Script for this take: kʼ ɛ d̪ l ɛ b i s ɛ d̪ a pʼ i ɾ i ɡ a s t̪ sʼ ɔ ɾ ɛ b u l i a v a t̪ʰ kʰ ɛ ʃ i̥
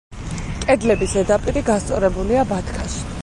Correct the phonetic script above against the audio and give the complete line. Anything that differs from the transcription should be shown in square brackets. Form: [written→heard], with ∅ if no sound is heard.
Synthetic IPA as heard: kʼ ɛ d̪ l ɛ b i s ɛ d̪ a pʼ i ɾ i ɡ a s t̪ sʼ ɔ ɾ ɛ b u l i a [v→b] a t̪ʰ kʰ [ɛ→a] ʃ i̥

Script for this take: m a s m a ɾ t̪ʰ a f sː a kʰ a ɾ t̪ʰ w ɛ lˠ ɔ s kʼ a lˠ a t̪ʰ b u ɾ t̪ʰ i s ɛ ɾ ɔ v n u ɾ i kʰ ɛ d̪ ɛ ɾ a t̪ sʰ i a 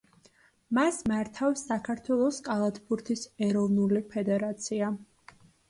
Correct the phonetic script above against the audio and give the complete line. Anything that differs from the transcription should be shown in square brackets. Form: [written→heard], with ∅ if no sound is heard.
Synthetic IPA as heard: m a s m a ɾ t̪ʰ a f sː a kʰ a ɾ t̪ʰ w ɛ lˠ ɔ s kʼ a lˠ a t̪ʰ b u ɾ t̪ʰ i s ɛ ɾ ɔ v n u [ɾ→l] i [kʰ→pʰ] ɛ d̪ ɛ ɾ a t̪ sʰ i a

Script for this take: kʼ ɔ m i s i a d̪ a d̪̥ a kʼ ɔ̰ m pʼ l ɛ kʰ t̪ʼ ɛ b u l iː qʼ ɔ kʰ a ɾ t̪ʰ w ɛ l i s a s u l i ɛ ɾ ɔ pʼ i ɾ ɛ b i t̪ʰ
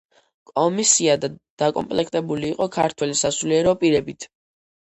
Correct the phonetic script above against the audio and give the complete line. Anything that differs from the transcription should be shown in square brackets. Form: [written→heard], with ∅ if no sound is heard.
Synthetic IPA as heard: kʼ ɔ m i s i a d̪ a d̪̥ a kʼ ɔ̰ m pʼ l ɛ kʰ t̪ʼ ɛ b u l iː qʼ ɔ kʰ a ɾ t̪ʰ w ɛ l i s a s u l i ɛ ɾ ɔ pʼ i ɾ ɛ b i t̪ʰ

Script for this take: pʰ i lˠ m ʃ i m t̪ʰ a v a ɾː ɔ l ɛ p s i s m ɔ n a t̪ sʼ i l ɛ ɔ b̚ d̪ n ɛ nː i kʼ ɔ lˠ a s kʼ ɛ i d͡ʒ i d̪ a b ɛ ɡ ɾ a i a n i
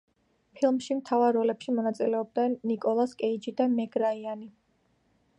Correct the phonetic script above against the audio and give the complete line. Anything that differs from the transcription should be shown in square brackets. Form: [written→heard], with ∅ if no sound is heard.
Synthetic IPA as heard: pʰ i lˠ m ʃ i m t̪ʰ a v a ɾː ɔ l ɛ p [s→ʃ] i [s→∅] m ɔ n a t̪ sʼ i l ɛ ɔ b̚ d̪ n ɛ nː i kʼ ɔ lˠ a s kʼ ɛ i d͡ʒ i d̪ a [b→m] ɛ ɡ ɾ a i a n i

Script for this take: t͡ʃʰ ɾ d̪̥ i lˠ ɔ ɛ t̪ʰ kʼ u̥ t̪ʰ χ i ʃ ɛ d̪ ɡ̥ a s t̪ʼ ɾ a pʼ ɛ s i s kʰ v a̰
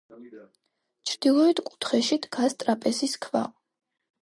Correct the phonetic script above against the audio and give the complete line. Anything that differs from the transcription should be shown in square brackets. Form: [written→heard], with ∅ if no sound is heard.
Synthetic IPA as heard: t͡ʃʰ ɾ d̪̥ i lˠ ɔ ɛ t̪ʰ kʼ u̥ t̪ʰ χ [i→ɛ] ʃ [ɛ→i] d̪ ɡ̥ a s t̪ʼ ɾ a pʼ ɛ s i s kʰ v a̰

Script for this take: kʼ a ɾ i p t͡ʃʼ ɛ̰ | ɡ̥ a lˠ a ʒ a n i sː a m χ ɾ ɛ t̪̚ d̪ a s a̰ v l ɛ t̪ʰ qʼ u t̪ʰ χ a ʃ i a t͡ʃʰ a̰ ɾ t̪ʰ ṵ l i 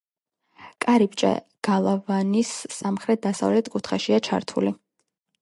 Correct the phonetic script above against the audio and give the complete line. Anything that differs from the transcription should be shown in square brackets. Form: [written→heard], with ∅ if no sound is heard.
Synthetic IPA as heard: kʼ a ɾ i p t͡ʃʼ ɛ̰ | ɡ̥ a lˠ a [ʒ→v] a n i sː a m χ ɾ ɛ t̪̚ d̪ a s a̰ v l ɛ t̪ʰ [qʼ→kʼ] u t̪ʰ χ a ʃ i a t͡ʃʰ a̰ ɾ t̪ʰ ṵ l i

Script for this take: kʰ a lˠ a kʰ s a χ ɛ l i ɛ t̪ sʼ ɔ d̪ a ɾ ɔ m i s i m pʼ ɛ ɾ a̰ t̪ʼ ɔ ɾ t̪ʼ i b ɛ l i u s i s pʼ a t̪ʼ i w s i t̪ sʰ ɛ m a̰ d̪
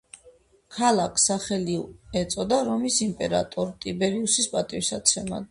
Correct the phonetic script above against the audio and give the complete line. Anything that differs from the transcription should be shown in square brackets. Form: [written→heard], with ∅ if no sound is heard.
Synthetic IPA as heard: kʰ a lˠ a kʰ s a χ ɛ l i ɛ t̪ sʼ ɔ d̪ a ɾ ɔ m i s i m pʼ ɛ ɾ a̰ t̪ʼ ɔ ɾ t̪ʼ i b ɛ [l→ɾ] i u s i s pʼ a t̪ʼ i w s [i→a] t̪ sʰ ɛ m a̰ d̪

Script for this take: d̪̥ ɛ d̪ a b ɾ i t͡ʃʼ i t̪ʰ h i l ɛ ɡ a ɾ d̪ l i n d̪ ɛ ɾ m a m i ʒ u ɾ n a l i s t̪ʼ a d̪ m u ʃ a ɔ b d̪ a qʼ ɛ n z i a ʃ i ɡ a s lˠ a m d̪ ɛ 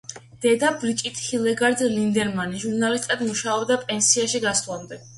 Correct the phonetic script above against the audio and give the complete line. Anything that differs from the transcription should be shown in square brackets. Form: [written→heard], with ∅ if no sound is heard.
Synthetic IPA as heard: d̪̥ ɛ d̪ a b ɾ i t͡ʃʼ i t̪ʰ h i l ɛ ɡ a ɾ d̪ l i n d̪ ɛ ɾ m a [m→n] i ʒ u ɾ n a l i s t̪ʼ a d̪ m u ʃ a ɔ b d̪ a [qʼ→pʼ] ɛ n [z→s] i a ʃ i ɡ a s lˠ a m d̪ ɛ

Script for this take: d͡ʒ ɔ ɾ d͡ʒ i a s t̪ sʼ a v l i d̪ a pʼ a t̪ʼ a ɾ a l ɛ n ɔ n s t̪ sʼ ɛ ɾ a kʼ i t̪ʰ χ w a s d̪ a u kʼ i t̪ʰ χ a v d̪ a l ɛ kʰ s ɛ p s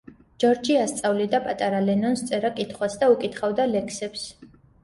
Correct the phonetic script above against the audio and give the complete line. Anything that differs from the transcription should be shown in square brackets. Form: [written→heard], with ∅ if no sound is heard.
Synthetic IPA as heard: d͡ʒ ɔ ɾ d͡ʒ i a s t̪ sʼ a v l i d̪ a pʼ a t̪ʼ a ɾ a l ɛ n ɔ n s t̪ sʼ ɛ ɾ a kʼ i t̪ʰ χ w a s d̪ a u kʼ i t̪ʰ χ a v d̪ a l ɛ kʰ s ɛ p s

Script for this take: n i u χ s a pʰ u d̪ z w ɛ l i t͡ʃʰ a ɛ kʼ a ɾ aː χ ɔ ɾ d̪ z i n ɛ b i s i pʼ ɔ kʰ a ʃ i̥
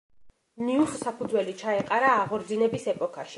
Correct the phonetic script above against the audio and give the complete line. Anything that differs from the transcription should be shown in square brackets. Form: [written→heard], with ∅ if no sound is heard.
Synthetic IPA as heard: n i u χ s a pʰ u d̪ z w ɛ l i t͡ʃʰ a ɛ [kʼ→qʼ] a ɾ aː [χ→ʁ] ɔ ɾ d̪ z i n ɛ b i s [i→ɛ] pʼ ɔ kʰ a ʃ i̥

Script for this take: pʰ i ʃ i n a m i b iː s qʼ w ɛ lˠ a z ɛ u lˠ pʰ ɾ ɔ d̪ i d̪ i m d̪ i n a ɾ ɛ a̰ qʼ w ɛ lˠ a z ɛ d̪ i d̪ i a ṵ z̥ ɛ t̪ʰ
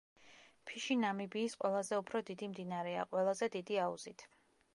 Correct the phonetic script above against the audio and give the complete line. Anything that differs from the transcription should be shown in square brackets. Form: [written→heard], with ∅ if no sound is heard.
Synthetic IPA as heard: pʰ i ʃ i n a m i b iː s qʼ w ɛ lˠ a z ɛ u [lˠ→∅] pʰ ɾ ɔ d̪ i d̪ i m d̪ i n a ɾ ɛ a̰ qʼ w ɛ lˠ a z ɛ d̪ i d̪ i a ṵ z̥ [ɛ→i] t̪ʰ

